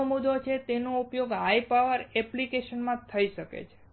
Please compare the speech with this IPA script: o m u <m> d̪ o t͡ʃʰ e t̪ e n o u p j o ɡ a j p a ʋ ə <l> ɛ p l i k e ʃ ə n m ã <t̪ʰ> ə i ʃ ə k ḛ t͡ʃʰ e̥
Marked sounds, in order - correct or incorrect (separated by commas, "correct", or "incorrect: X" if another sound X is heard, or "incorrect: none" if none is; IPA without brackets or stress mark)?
incorrect: none, incorrect: ɾ, correct